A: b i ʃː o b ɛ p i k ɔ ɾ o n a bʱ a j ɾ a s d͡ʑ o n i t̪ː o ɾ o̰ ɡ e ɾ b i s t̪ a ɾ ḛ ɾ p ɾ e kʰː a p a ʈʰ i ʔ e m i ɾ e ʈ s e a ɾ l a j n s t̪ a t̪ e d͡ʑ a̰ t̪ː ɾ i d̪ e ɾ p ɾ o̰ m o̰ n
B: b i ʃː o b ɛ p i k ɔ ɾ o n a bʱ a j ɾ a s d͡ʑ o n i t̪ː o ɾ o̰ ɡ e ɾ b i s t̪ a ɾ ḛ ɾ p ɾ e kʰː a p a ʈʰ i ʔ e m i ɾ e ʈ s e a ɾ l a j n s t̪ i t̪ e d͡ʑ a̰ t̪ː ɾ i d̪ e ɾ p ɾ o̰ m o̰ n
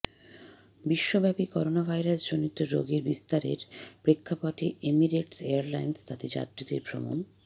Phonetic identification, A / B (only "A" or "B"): A